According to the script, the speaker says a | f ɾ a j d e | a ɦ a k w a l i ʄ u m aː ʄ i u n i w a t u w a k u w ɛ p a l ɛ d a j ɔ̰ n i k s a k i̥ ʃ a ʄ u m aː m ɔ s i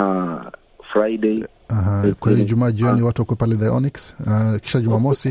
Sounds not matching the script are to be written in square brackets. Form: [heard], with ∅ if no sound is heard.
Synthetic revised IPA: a | f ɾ a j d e | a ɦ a k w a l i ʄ u m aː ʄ i [ɔ] n i w a t u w a k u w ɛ p a l ɛ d a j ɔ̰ n i k s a k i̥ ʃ a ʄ u m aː m ɔ s i